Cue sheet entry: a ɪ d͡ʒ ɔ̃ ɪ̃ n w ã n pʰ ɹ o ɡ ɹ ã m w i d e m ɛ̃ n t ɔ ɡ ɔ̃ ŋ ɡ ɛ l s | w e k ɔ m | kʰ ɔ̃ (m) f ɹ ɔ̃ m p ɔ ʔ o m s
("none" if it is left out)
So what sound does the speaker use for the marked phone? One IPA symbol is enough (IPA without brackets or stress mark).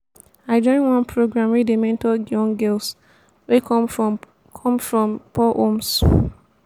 m